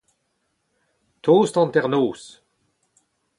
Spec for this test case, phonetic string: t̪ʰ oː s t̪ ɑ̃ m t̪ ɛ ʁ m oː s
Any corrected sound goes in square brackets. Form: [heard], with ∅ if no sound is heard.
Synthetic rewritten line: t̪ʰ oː s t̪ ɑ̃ [n] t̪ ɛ ʁ [n] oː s